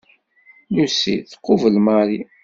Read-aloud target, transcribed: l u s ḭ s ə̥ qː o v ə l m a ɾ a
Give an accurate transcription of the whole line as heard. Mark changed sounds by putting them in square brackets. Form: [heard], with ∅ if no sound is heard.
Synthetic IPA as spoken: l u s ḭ [θ] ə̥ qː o v ə l m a ɾ [i]